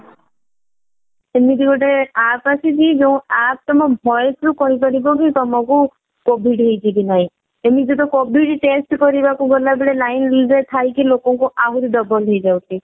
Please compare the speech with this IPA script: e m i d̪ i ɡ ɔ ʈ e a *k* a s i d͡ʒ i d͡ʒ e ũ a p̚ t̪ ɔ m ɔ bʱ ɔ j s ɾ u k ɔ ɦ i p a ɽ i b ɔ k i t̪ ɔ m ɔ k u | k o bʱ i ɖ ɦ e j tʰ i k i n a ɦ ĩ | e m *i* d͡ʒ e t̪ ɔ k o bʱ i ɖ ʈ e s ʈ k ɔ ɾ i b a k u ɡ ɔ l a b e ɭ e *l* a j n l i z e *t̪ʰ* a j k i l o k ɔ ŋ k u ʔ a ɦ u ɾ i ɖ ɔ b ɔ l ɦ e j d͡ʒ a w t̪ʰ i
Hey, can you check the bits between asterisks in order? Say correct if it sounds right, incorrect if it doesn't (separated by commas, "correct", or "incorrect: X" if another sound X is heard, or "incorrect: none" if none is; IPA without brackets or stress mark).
incorrect: p, correct, correct, correct